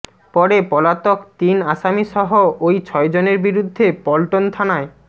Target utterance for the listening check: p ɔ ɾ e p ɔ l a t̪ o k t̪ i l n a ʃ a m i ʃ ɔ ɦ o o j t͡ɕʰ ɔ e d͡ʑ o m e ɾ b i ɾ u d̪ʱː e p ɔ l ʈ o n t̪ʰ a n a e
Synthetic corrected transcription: p ɔ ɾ e p ɔ l a t̪ o k t̪ i n a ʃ a m i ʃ ɔ ɦ o o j t͡ɕʰ ɔ e d͡ʑ o n e ɾ b i ɾ u d̪ʱː e p ɔ l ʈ o n t̪ʰ a n a e